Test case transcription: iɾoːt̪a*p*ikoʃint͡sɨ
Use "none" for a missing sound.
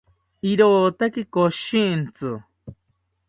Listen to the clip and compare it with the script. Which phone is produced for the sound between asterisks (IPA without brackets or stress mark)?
k